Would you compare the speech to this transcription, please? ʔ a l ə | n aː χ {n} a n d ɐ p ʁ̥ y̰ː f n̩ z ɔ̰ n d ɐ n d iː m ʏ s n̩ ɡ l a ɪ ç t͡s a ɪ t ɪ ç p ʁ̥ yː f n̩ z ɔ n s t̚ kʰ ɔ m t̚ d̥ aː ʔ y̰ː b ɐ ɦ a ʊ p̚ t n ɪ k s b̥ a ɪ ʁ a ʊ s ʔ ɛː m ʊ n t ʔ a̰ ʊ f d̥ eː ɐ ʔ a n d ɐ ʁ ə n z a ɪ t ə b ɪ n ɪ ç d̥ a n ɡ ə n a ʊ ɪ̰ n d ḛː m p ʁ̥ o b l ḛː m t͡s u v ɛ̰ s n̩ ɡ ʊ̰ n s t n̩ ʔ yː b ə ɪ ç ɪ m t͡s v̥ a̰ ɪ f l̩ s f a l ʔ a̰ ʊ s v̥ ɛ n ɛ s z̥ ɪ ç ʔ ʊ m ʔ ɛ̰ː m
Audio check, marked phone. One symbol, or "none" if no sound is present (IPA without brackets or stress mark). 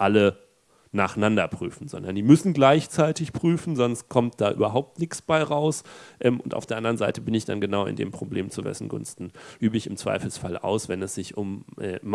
n